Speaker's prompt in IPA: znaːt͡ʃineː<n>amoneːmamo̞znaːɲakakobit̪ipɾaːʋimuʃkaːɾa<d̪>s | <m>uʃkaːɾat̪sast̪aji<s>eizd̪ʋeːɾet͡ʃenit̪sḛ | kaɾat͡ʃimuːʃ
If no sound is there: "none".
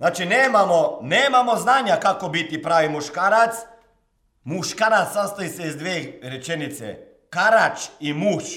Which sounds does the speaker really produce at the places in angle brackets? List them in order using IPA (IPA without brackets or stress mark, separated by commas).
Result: m, t̪, m, s